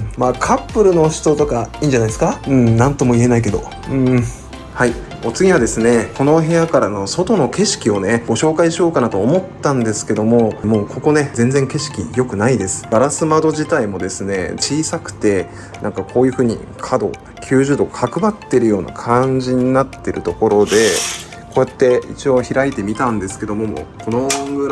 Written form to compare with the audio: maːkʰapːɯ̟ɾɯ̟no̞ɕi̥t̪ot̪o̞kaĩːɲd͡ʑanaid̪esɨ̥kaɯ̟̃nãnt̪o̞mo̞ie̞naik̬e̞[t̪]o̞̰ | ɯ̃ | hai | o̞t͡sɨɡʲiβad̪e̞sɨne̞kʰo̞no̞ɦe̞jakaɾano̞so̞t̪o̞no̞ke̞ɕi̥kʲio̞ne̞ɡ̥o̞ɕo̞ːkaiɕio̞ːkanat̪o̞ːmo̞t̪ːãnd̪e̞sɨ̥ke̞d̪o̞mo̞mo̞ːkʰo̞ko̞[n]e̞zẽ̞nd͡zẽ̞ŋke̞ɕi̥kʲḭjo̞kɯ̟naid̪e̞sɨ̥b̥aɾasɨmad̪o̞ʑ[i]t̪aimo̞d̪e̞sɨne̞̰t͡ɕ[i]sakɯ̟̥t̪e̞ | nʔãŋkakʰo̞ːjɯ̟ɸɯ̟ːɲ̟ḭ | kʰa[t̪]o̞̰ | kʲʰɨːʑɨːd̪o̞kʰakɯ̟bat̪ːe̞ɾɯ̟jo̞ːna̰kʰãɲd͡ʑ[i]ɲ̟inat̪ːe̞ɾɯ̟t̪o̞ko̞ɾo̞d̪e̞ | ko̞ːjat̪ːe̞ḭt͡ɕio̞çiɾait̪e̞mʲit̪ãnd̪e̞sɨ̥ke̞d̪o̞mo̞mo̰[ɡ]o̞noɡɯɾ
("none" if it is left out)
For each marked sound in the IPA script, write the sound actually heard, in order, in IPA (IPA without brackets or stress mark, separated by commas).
d̪, n, i, iː, d̪, i, k